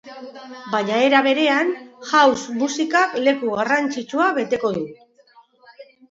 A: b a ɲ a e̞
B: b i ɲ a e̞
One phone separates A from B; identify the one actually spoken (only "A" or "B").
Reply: A